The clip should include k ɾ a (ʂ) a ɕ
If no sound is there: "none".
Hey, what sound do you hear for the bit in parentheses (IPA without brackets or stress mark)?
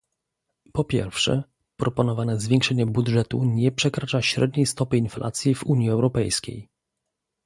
t͡ʂ